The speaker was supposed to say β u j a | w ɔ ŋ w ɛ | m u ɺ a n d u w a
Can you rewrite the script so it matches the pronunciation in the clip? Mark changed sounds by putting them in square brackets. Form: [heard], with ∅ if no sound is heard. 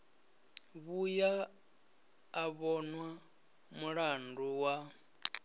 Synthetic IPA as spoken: β u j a | [β] ɔ [n] w [a] | m u ɺ a n d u w a